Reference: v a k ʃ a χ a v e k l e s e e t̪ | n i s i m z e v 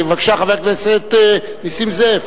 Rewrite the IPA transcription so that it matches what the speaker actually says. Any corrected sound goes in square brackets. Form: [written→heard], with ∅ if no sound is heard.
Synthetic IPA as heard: v a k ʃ a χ a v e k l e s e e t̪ | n i s i m z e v